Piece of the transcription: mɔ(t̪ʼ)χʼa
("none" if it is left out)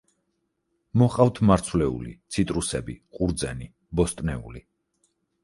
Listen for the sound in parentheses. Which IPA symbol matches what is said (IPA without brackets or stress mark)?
none